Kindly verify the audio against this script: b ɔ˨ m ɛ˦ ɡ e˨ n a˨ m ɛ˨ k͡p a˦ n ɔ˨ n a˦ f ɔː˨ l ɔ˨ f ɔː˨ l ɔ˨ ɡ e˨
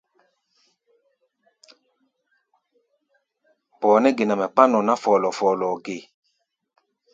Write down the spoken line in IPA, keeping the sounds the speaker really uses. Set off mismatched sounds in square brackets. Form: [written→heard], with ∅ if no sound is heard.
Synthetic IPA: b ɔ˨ [m→n] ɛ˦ ɡ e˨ n a˨ m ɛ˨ k͡p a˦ n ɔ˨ n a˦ f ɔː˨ l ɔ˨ f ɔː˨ l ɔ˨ ɡ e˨